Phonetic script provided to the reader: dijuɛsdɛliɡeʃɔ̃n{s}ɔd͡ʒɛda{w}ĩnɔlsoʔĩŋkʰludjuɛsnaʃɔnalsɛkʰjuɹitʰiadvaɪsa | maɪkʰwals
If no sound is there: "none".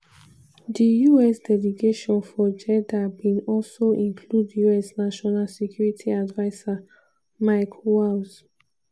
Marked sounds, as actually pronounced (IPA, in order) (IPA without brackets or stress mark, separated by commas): f, b